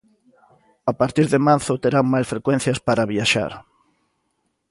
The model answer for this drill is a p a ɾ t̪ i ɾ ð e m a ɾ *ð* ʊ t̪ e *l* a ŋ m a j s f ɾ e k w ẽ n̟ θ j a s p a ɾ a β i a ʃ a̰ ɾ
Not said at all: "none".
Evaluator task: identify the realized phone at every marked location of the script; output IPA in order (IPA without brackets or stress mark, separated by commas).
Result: θ, ɾ